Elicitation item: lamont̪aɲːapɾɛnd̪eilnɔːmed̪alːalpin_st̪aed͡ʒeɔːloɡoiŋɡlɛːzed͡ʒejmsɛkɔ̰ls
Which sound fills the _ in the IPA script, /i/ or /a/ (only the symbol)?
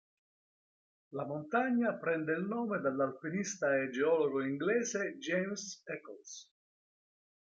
i